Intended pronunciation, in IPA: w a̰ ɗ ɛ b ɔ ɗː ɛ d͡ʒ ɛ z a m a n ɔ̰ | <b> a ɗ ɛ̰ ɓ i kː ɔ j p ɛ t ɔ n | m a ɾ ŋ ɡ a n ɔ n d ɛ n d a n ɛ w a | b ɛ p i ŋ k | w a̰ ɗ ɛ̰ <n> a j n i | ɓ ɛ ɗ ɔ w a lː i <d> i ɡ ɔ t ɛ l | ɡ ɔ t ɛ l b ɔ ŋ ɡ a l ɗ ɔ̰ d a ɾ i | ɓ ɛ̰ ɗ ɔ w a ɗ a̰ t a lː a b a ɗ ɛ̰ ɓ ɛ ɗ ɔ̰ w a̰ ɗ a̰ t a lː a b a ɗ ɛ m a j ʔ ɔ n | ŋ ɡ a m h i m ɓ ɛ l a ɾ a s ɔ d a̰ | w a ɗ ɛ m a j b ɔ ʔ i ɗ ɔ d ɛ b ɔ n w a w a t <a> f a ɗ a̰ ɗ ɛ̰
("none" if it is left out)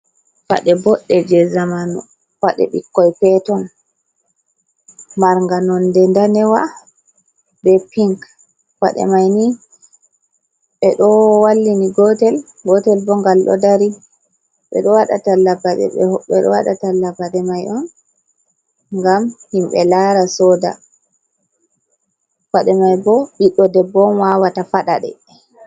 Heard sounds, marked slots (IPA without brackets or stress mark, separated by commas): w, m, n, a